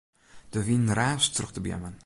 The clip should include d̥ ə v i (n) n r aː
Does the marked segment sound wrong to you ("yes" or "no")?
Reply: no